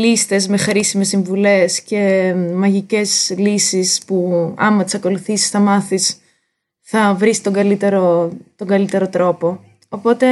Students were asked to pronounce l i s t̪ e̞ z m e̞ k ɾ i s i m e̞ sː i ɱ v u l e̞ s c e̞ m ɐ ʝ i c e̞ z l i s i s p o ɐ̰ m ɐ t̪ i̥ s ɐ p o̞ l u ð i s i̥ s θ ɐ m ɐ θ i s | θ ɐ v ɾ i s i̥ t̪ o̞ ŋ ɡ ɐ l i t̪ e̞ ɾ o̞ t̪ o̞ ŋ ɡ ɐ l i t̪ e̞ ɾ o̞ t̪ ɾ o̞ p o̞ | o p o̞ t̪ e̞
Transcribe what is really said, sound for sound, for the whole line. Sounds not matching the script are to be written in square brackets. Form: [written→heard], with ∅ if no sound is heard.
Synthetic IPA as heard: l i s t̪ e̞ z m e̞ [k→x] ɾ i s i m e̞ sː i ɱ v u l e̞ s c e̞ m ɐ ʝ i c e̞ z l i s i s p [o→u] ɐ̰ m ɐ t̪ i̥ s ɐ [p→k] o̞ l u [ð→θ] i s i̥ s θ ɐ m ɐ θ i s | θ ɐ v ɾ i s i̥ t̪ o̞ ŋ ɡ ɐ l i t̪ e̞ ɾ o̞ t̪ o̞ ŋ ɡ ɐ l i t̪ e̞ ɾ o̞ t̪ ɾ o̞ p o̞ | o p o̞ t̪ e̞